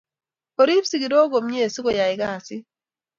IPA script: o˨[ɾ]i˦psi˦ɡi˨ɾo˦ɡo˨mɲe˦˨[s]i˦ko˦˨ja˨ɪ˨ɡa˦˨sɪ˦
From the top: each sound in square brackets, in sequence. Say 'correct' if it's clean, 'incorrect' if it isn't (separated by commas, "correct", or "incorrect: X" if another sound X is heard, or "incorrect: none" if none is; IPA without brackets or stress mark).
correct, correct